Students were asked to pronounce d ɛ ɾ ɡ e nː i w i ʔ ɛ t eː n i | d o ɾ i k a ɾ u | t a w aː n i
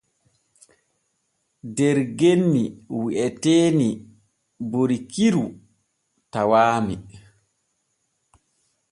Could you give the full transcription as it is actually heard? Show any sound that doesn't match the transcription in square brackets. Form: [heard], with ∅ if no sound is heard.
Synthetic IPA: d ɛ ɾ ɡ e nː i w i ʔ ɛ t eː n i | [b] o ɾ i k [i] ɾ u | t a w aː [m] i

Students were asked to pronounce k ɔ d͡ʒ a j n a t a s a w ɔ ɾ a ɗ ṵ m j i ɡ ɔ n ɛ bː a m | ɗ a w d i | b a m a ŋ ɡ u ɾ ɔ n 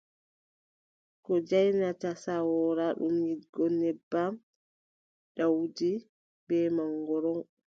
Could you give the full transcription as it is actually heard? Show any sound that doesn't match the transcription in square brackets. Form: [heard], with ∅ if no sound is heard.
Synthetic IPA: k ɔ d͡ʒ a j n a t a s a w ɔ ɾ a ɗ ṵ m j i ɡ ɔ n ɛ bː a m | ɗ a w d i | b [ɛ] m a ŋ ɡ [ɔ] ɾ ɔ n

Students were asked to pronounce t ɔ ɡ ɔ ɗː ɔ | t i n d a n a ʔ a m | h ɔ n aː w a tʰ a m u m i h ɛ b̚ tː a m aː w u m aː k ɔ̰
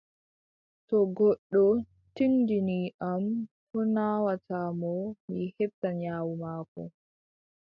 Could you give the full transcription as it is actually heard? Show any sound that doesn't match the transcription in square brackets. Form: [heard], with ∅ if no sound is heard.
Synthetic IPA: t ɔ ɡ ɔ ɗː ɔ | t i n d [i] n [i] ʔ a m | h ɔ n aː w a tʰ a m [ɔ] m i h ɛ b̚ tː a [ɲ] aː w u m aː k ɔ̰

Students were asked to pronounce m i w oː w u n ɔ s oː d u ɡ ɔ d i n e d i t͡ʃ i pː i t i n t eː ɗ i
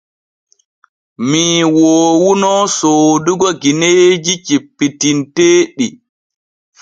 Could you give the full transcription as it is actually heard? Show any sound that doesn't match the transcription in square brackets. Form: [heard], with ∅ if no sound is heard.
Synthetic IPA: m i w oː w u n ɔ s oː d u ɡ ɔ [ɡ] i n e [d͡ʒ] i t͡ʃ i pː i t i n t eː ɗ i

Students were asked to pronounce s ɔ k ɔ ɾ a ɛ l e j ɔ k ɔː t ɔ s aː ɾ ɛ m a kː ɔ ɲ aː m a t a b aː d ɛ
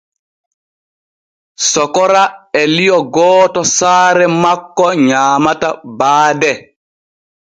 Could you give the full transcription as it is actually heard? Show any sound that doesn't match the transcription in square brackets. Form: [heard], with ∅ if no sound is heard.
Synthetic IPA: s ɔ k ɔ ɾ a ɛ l [i] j ɔ [ɡ] ɔː t ɔ s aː ɾ ɛ m a kː ɔ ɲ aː m a t a b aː d ɛ

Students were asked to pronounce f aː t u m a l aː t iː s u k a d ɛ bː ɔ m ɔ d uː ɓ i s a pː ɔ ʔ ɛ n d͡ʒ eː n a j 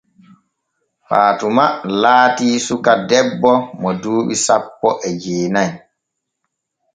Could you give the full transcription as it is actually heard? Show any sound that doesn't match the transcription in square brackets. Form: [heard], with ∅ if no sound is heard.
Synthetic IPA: f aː t u m a l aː t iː s u k a d ɛ bː ɔ m ɔ d uː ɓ i s a pː ɔ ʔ ɛ [∅] d͡ʒ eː n a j

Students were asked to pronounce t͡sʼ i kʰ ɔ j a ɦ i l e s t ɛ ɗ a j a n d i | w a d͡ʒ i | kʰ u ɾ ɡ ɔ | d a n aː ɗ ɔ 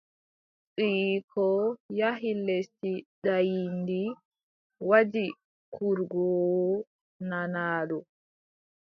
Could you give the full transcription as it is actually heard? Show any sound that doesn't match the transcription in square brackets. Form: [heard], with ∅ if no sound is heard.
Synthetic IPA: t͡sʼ i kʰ ɔ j a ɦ i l e s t [i] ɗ a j [i] n d i | w a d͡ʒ i | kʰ u ɾ ɡ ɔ | [n] a n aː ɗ ɔ

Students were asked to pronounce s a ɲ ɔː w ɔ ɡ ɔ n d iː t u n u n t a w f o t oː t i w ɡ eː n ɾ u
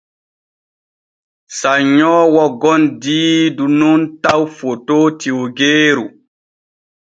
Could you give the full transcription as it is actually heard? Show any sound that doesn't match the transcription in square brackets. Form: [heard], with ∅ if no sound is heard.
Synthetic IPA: s a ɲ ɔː w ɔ ɡ ɔ n d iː [d] u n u n t a w f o t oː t i w ɡ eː [∅] ɾ u

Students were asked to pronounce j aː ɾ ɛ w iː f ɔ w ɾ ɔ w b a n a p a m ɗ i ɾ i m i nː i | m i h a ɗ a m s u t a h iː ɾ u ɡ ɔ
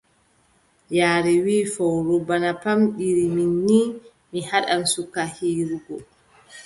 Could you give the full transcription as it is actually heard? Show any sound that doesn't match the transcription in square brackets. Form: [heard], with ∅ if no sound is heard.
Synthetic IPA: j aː ɾ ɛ w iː f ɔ w ɾ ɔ [∅] b a n a p a m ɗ i ɾ i m i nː i | m i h a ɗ a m s u [k] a h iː ɾ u ɡ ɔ

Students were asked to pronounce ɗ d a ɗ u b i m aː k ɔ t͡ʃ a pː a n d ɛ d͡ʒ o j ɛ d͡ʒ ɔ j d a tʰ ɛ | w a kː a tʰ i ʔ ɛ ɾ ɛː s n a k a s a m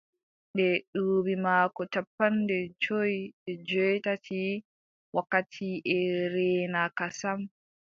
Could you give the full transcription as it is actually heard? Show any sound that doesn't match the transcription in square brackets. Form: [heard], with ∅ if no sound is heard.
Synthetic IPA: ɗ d [ɛ] ɗ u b i m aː k ɔ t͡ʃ a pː a n d ɛ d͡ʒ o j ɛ d͡ʒ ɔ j [t] a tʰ [i] | w a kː a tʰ i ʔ ɛ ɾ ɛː [∅] n a k a s a m

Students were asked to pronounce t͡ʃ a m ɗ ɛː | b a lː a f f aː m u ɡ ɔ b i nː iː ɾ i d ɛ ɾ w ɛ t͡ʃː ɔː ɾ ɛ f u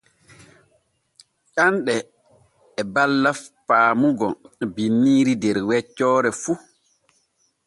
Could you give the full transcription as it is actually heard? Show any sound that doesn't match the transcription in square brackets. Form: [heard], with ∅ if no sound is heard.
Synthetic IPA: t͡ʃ a [n] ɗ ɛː | b a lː a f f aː m u ɡ ɔ b i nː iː ɾ i d ɛ ɾ w ɛ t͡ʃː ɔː ɾ ɛ f u

